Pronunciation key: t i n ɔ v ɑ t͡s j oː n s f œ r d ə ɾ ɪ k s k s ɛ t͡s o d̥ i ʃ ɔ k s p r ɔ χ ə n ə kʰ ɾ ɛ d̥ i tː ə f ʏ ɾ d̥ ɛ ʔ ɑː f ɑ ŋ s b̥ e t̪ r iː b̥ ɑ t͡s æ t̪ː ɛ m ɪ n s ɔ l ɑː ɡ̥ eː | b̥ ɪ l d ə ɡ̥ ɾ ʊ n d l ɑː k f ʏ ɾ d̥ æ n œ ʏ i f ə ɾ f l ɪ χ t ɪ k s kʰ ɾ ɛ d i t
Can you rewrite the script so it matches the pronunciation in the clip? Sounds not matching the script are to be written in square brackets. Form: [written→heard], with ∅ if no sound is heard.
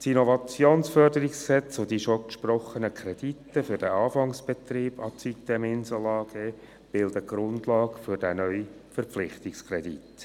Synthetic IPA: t i n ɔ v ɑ t͡s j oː n s f œ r d ə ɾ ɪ k s k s ɛ t͡s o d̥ i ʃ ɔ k [s→ʃ] p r ɔ χ ə n ə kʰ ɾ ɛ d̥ i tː ə f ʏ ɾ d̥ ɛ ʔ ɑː f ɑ ŋ s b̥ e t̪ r iː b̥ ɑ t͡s [æ→i] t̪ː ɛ m ɪ n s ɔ l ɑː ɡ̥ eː | b̥ ɪ l d ə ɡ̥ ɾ ʊ n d l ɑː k f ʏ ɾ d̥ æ n œ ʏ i f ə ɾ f l ɪ χ t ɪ k s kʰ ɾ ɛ d i t